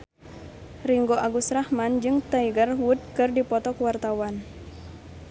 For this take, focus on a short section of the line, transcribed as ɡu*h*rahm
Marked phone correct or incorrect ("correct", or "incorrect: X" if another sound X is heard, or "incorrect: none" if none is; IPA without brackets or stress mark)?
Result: incorrect: s